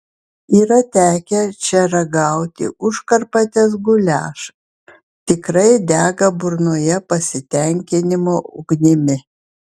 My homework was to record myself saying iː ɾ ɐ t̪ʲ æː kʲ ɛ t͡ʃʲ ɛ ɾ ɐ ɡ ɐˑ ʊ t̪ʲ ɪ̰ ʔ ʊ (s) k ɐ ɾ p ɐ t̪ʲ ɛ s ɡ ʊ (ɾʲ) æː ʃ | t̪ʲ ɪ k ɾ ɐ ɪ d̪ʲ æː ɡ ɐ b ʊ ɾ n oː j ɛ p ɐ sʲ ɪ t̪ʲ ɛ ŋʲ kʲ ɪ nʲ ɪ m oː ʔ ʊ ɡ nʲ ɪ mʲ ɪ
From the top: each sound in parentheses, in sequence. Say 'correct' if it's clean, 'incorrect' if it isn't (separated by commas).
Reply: incorrect, incorrect